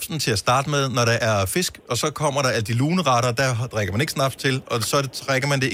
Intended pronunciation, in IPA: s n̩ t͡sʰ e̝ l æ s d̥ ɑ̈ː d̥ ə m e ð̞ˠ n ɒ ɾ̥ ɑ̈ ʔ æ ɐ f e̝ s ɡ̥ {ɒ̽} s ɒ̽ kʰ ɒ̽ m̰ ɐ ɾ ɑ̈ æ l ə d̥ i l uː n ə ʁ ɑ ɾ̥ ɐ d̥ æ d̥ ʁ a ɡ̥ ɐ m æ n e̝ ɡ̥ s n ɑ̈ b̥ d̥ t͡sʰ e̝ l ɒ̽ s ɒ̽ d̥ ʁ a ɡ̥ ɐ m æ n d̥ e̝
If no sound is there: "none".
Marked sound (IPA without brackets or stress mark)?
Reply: ɒ̽